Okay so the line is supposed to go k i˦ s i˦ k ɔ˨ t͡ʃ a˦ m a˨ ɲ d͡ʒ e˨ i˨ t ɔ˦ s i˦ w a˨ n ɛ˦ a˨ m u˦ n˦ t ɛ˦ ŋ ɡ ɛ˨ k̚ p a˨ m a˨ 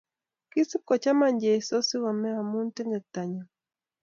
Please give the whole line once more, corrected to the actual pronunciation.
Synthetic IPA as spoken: k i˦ s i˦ k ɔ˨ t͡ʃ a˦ m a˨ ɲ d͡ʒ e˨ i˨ s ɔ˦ s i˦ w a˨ m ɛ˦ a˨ m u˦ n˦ t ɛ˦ ŋ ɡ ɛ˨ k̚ t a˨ ɲ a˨